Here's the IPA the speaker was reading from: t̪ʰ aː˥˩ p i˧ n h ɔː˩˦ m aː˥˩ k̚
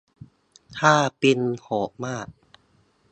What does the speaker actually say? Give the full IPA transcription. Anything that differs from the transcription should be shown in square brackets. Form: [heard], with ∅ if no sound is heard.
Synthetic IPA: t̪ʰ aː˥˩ p i˧ n h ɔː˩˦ m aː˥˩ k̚